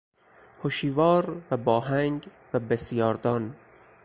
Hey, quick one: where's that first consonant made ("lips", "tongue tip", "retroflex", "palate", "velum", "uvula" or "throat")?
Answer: throat